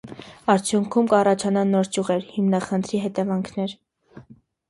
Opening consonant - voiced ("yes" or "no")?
yes